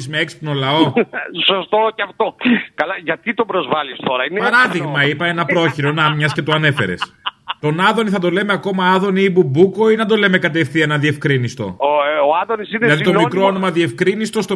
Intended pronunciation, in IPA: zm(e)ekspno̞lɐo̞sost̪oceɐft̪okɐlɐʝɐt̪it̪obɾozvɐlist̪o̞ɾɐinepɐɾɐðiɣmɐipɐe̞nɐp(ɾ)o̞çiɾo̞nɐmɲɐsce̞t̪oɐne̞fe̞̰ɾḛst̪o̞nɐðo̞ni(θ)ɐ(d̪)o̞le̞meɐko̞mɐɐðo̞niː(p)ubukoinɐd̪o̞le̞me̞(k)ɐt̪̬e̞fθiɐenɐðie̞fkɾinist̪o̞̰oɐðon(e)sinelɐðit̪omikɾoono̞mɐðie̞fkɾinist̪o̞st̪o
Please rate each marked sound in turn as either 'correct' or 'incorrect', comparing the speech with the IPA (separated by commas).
correct, correct, correct, correct, incorrect, correct, incorrect